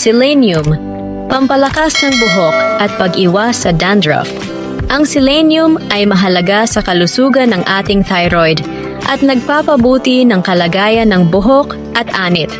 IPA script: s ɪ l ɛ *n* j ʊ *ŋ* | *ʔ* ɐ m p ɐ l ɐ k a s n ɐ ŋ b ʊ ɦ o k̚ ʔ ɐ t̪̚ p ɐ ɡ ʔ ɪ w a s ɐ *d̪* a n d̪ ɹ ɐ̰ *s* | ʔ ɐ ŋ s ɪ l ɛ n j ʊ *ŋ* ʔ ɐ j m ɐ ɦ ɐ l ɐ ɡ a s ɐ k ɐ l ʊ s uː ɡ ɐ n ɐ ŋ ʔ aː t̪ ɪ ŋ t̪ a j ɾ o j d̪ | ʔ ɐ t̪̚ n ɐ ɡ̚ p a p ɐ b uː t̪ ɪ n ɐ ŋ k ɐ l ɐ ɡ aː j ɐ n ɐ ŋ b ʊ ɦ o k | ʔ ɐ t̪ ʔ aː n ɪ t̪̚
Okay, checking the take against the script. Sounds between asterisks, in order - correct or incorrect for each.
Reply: correct, incorrect: m, incorrect: p, correct, incorrect: f, incorrect: m

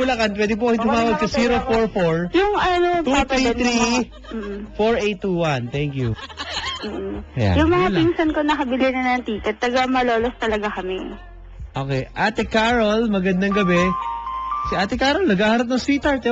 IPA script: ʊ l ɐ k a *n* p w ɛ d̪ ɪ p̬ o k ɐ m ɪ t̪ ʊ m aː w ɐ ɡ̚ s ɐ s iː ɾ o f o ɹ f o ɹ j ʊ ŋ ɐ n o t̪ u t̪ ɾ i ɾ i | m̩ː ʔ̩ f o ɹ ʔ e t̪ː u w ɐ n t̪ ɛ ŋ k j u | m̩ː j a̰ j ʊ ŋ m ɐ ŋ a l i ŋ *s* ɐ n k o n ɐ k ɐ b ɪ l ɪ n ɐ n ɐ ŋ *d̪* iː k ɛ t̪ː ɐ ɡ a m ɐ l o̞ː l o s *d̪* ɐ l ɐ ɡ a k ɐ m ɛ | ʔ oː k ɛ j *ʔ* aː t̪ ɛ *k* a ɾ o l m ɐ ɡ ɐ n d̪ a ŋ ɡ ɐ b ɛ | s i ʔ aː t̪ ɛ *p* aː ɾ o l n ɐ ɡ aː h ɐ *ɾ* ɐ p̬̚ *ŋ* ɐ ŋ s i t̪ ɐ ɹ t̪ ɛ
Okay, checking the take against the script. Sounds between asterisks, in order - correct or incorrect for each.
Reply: correct, correct, incorrect: t̪, incorrect: t̪, correct, correct, incorrect: k, correct, incorrect: n

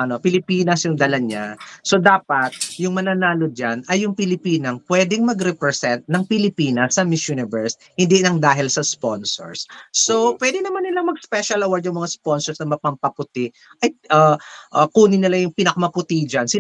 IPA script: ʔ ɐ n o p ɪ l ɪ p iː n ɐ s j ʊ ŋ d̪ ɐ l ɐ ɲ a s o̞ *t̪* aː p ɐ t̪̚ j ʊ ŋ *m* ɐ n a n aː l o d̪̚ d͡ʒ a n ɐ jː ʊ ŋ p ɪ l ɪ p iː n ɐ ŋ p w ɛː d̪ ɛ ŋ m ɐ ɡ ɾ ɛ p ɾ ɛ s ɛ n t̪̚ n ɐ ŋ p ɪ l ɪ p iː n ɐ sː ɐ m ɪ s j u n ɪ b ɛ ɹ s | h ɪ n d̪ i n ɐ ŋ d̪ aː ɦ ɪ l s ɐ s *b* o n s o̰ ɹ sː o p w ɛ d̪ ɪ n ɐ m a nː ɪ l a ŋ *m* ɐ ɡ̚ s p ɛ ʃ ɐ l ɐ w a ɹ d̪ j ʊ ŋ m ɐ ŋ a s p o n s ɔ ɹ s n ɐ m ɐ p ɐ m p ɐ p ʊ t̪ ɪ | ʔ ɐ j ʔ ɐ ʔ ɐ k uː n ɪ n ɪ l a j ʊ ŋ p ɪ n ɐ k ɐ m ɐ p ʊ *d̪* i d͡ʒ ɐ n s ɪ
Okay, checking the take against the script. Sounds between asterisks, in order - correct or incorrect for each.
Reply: incorrect: d̪, correct, incorrect: p, correct, incorrect: t̪

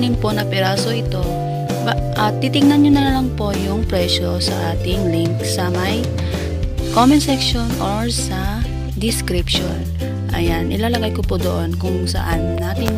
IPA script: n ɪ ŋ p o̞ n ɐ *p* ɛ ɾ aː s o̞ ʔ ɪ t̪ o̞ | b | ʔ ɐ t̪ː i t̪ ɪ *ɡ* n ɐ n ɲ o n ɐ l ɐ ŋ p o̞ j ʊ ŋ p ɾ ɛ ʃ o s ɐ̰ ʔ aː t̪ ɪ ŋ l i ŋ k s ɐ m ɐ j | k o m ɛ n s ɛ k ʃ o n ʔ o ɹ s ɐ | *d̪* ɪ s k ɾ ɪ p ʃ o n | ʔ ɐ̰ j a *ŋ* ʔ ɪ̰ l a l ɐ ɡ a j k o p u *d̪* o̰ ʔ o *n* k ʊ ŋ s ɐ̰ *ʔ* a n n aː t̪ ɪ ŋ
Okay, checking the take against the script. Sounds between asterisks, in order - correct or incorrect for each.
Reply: correct, incorrect: ŋ, correct, incorrect: n, correct, correct, correct

